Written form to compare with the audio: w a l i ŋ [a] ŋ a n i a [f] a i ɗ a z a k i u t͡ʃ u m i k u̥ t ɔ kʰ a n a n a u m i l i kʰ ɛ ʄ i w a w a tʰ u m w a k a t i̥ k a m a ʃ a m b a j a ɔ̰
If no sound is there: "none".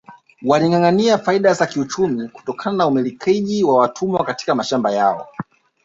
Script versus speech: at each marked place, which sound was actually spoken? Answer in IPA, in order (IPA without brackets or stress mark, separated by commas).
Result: a, f